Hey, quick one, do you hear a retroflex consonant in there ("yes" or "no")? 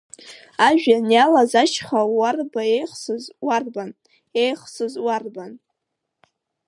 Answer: no